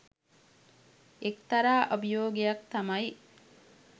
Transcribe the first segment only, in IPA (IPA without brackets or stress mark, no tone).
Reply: e